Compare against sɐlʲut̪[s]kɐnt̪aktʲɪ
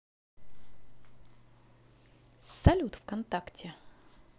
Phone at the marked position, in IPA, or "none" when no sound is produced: f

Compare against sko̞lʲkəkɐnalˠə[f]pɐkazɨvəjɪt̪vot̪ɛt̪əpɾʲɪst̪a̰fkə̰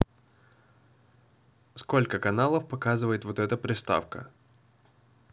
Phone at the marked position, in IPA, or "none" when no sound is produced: f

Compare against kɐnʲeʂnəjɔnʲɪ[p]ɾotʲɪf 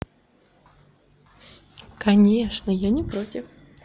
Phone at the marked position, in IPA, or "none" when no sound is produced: p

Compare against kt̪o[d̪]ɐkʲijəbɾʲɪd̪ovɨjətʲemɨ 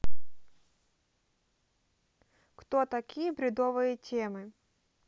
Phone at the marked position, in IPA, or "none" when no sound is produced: t̪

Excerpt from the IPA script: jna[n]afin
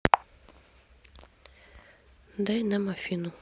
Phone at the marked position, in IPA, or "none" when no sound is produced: m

